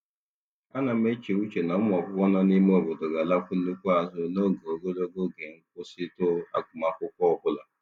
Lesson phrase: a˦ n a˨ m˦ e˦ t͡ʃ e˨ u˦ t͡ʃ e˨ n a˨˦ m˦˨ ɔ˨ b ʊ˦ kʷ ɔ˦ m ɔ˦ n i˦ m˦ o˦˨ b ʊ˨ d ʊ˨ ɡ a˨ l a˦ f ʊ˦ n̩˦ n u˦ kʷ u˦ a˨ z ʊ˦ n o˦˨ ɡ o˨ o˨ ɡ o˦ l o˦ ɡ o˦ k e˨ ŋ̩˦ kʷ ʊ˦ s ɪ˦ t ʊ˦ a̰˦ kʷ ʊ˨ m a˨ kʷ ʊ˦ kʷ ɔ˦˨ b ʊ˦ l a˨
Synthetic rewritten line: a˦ n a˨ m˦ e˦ t͡ʃ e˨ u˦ t͡ʃ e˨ n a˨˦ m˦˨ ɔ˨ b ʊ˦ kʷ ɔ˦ n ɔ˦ n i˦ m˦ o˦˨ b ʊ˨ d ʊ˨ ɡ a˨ l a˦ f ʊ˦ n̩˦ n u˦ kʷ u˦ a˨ z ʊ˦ n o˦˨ ɡ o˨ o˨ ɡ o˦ l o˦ ɡ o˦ ɡ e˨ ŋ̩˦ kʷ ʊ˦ s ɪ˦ t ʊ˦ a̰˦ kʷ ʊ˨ m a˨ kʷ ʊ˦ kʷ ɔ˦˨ b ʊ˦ l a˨